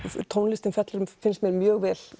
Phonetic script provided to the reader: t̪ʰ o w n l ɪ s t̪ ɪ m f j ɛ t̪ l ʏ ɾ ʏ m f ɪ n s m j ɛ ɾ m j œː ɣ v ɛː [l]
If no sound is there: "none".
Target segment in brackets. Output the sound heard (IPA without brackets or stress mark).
l